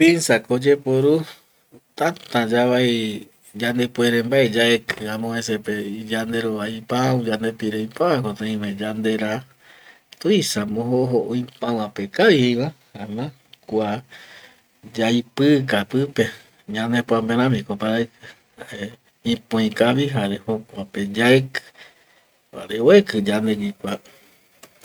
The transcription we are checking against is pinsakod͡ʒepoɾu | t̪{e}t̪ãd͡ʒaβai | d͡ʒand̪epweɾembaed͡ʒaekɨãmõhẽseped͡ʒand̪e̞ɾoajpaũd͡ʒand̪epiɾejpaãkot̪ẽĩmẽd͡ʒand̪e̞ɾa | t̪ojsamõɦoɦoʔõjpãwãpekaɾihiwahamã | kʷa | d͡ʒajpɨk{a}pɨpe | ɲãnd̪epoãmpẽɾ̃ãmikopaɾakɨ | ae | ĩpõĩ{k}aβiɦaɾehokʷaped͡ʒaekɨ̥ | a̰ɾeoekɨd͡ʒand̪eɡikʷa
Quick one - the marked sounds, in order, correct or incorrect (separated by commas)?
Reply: incorrect, correct, correct